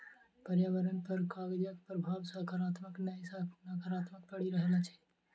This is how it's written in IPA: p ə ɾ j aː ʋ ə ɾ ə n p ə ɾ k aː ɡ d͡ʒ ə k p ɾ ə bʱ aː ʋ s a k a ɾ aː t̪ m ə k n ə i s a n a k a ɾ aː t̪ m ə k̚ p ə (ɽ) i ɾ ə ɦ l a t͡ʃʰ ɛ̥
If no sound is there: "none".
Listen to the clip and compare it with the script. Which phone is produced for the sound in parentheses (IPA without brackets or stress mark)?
ɽ